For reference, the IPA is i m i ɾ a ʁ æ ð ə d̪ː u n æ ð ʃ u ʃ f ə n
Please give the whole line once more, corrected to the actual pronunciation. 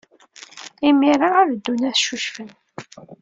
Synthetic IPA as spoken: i m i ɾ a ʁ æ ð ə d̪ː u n æ θ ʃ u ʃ f ə n

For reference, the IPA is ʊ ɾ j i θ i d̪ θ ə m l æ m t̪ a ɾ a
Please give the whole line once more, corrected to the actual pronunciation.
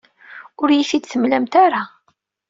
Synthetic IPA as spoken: ʊ ɾ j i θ i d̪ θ ə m l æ m t̪ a ɾ a

